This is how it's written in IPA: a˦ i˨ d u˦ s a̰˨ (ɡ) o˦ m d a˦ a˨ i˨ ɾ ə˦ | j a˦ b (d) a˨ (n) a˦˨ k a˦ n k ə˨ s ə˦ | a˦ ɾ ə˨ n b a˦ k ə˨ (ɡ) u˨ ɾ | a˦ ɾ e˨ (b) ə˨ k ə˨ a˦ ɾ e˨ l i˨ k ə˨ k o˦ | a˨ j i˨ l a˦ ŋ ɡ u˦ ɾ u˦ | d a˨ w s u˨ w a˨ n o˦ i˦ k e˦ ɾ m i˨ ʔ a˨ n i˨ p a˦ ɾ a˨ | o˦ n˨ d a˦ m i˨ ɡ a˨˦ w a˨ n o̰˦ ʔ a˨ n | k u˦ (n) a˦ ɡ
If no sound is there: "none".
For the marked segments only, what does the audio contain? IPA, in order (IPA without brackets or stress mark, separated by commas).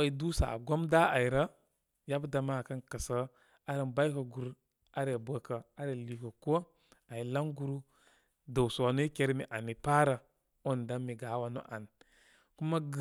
ɡ, d, m, ɡ, b, m